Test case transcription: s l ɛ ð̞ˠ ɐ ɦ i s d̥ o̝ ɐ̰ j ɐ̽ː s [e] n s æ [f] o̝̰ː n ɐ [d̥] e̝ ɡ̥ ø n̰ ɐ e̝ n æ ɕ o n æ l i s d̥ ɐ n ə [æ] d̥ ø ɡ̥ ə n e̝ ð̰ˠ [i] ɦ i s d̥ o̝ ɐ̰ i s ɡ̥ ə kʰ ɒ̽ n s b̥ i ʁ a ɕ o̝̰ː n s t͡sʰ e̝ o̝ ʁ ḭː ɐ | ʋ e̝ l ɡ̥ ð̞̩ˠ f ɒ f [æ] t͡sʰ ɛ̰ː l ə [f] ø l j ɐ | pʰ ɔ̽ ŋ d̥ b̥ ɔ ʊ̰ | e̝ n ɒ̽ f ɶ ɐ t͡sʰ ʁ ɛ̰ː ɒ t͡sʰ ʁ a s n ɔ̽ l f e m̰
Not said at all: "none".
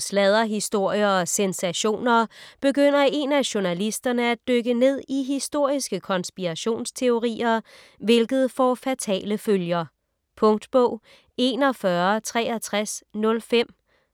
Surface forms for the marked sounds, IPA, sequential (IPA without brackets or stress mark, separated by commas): e, ɕ, b̥, æ, i, æ, f